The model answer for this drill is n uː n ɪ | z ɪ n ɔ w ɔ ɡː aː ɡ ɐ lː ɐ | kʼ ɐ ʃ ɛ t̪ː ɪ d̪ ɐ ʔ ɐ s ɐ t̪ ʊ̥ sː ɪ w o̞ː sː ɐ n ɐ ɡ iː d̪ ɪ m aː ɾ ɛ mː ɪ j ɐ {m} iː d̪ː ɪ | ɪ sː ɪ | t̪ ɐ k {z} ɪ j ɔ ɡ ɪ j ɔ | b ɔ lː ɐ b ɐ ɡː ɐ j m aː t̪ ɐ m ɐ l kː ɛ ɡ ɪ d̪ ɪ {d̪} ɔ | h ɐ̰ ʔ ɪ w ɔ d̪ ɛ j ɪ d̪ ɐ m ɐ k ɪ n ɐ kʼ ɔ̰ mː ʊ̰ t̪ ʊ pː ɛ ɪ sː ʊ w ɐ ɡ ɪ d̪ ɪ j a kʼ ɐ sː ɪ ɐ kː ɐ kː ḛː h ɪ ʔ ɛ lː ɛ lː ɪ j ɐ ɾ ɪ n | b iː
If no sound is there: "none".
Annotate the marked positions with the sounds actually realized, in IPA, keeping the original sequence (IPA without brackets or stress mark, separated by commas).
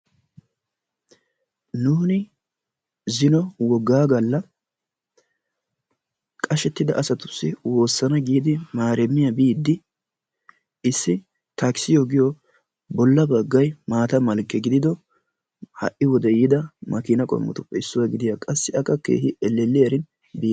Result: b, s, d̪